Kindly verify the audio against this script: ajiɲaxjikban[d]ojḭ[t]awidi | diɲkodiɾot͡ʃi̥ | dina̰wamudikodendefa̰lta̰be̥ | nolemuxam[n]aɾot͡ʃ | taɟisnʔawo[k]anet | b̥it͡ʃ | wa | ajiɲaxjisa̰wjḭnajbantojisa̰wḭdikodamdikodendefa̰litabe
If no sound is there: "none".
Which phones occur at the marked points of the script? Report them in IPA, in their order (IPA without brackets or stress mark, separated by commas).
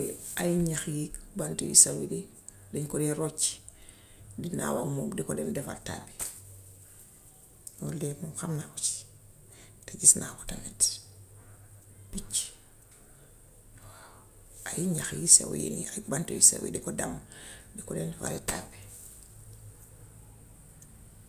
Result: t, s, n, t